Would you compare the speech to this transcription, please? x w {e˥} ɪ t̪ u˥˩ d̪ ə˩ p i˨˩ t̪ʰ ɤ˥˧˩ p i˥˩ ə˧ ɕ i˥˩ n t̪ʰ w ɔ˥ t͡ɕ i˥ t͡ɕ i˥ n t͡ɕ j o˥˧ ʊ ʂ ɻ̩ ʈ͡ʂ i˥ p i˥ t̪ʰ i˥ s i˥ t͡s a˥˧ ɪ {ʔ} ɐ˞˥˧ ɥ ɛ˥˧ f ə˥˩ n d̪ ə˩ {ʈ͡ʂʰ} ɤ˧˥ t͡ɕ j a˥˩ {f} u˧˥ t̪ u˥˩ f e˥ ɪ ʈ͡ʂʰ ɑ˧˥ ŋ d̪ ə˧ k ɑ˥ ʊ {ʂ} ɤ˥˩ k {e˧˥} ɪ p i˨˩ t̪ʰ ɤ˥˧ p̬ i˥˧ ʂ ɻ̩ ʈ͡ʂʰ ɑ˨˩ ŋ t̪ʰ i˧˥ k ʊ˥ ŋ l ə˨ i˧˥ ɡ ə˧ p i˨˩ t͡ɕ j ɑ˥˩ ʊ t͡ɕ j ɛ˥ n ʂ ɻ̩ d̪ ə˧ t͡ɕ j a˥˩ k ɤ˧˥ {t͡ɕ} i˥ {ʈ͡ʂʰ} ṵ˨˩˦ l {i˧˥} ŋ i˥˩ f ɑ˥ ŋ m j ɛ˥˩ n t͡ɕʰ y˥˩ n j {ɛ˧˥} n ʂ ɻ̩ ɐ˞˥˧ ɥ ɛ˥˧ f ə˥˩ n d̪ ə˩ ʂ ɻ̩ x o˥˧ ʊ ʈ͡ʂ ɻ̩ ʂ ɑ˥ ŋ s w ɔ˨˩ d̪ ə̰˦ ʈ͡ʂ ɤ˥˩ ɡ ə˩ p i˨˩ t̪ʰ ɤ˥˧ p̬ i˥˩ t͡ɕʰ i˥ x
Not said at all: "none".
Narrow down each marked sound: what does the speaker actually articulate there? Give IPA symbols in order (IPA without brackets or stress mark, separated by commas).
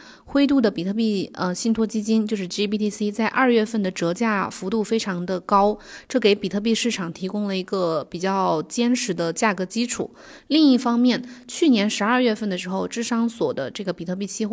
e˥, ʔ, ʈ͡ʂ, f, ʈ͡ʂ, e˧˥, t͡ɕ, ʈ͡ʂʰ, i˥˧, ɛ˧˥